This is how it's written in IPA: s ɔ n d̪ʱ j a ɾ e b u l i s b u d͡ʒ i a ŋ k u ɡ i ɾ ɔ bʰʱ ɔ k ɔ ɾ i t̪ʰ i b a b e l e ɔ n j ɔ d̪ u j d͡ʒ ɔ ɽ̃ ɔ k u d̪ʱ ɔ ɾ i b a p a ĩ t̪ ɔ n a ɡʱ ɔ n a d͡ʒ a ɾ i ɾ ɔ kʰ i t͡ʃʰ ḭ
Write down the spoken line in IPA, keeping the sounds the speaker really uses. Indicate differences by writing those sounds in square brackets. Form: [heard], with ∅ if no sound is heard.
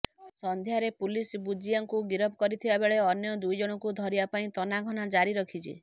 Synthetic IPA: s ɔ n d̪ʱ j a ɾ e [p] u l i s b u d͡ʒ i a ŋ k u ɡ i ɾ ɔ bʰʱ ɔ k ɔ ɾ i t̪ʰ i b a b e [ɭ] e ɔ n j ɔ d̪ u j d͡ʒ ɔ ɽ̃ ɔ k u d̪ʱ ɔ ɾ i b a p a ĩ t̪ ɔ n a ɡʱ ɔ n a d͡ʒ a ɾ i ɾ ɔ kʰ i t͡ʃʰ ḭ